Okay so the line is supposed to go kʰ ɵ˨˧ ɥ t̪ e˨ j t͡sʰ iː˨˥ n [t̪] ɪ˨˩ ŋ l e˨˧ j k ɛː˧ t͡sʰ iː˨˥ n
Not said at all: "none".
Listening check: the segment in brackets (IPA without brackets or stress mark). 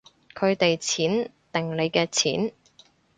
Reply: t̪